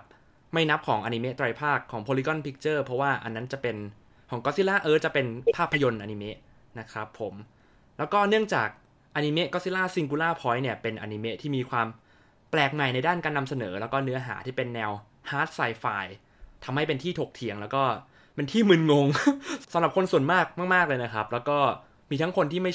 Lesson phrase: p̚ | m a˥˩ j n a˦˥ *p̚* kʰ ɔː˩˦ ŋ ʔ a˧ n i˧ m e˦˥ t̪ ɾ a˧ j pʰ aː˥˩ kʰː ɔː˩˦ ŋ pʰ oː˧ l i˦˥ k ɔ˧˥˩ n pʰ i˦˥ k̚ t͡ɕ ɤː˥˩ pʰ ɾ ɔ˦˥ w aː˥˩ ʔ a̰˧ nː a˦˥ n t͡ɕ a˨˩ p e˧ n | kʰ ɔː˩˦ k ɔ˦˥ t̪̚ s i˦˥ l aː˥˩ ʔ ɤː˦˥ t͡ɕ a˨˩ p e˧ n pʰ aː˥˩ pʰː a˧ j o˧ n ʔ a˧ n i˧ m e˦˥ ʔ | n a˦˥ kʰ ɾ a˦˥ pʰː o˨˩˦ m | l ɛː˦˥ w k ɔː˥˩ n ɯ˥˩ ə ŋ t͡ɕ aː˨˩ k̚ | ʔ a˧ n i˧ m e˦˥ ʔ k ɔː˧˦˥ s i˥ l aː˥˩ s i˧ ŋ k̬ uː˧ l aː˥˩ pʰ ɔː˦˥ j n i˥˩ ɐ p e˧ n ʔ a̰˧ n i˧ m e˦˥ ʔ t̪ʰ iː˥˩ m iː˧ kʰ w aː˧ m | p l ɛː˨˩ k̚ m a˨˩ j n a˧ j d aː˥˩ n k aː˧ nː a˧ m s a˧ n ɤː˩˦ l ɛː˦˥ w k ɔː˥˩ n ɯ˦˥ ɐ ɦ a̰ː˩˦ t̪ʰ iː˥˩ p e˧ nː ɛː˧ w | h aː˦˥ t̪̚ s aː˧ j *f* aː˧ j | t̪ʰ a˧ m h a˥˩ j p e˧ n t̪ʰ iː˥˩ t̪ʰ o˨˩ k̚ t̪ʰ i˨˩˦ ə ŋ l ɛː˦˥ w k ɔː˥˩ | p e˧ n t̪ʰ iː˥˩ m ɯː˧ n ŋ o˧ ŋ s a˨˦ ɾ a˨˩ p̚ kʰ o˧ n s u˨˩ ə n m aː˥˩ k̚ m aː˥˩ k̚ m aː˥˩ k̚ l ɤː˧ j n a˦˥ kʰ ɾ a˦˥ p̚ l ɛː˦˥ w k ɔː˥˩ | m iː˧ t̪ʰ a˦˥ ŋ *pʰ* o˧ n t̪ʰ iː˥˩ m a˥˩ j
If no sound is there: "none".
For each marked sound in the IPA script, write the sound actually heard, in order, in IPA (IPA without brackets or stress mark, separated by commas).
p̚, f, kʰ